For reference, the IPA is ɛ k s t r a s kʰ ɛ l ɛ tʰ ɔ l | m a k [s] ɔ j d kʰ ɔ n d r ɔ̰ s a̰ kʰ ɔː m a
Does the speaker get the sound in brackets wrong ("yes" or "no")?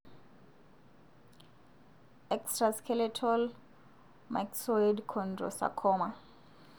no